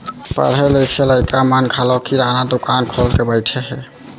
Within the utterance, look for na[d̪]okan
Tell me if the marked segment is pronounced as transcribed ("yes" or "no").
yes